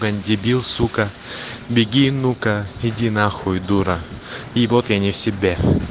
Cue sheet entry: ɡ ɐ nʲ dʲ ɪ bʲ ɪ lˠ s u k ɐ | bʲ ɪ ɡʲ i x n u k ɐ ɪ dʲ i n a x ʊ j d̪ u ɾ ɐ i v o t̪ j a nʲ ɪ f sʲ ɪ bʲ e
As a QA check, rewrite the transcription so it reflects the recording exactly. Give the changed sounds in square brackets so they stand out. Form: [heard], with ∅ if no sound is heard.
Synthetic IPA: ɡ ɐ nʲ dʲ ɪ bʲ [i] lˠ s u k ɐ | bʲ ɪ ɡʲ i [∅] n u k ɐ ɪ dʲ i n a x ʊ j d̪ u ɾ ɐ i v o t̪ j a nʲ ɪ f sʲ ɪ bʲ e